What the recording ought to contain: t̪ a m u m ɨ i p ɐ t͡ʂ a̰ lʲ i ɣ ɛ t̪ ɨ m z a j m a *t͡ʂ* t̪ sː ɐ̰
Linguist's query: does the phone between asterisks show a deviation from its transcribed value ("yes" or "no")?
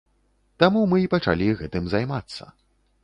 yes